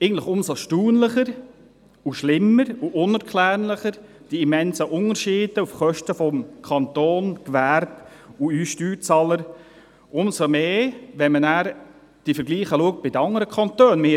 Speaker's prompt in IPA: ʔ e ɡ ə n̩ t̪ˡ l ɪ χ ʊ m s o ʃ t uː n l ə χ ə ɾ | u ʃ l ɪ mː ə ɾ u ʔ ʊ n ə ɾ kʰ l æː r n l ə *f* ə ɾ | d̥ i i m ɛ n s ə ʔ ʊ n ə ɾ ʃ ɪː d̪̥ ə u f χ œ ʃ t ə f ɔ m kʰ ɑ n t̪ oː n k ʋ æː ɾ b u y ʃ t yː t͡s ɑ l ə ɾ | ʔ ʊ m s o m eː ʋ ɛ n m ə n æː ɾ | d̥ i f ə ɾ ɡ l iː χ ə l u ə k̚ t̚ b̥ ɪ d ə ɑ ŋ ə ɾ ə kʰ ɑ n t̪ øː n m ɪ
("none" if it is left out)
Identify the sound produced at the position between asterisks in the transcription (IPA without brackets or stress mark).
χ